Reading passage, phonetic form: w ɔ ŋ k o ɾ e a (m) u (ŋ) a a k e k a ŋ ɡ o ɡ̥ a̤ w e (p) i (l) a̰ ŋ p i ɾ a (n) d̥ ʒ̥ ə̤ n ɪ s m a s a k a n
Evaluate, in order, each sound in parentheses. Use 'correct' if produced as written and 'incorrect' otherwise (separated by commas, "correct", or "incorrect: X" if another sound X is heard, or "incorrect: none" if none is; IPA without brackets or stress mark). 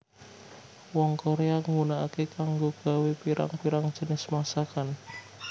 incorrect: ŋ, incorrect: n, correct, incorrect: ɾ, incorrect: ŋ